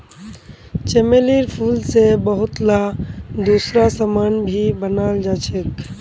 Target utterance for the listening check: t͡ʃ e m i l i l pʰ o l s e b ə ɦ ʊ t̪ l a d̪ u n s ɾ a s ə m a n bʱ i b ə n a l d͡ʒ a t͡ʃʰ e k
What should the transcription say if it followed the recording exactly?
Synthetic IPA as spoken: t͡ʃ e m e l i ɾ pʰ u l s e b ə ɦ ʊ t̪ l a d̪ u s ɾ a s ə m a n bʱ i b ə n a l d͡ʒ a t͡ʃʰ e k